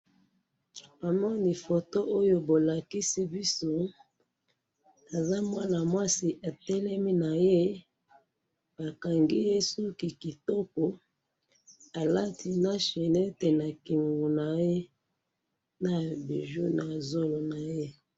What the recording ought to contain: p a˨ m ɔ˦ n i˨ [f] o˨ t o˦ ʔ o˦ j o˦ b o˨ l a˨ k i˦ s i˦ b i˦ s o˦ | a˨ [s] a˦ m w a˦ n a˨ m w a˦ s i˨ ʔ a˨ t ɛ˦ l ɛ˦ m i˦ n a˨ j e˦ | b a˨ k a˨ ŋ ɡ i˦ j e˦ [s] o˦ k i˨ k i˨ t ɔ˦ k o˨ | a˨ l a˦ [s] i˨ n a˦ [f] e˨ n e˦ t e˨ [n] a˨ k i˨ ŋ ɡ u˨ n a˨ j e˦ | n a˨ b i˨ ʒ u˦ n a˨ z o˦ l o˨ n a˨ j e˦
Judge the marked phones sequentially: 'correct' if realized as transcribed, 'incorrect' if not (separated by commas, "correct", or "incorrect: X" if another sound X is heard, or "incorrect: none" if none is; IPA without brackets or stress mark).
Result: correct, incorrect: z, correct, incorrect: t, incorrect: ʃ, correct